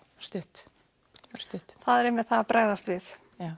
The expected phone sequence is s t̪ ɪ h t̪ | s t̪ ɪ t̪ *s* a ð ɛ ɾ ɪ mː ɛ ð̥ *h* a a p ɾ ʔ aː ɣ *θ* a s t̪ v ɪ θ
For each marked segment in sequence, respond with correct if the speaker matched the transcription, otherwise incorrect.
incorrect: θ, incorrect: θ, incorrect: ð

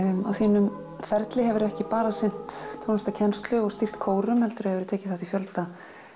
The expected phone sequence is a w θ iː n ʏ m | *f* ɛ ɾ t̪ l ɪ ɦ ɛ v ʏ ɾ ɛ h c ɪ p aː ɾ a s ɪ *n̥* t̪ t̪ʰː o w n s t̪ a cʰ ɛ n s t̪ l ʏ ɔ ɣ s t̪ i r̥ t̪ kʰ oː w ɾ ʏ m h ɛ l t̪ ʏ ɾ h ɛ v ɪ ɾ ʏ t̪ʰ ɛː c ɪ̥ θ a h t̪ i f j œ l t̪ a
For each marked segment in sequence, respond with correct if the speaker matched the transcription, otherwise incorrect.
correct, correct

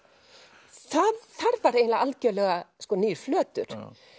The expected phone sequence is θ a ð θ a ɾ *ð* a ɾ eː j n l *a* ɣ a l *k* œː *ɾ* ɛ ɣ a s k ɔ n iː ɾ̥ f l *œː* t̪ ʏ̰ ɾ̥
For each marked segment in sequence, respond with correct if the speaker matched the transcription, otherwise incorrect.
incorrect: v, correct, incorrect: c, incorrect: l, correct

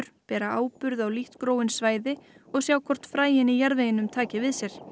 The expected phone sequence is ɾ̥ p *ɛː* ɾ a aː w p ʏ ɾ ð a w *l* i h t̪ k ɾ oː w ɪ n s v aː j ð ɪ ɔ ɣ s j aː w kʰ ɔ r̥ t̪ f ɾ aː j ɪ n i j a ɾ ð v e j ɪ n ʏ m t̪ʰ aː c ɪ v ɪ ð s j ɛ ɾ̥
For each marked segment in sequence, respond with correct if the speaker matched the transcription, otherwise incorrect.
correct, correct

